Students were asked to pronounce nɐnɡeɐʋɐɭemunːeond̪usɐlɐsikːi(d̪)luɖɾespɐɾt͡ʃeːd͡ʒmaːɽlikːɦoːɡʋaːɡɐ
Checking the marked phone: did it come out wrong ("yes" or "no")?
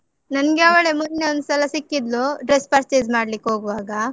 no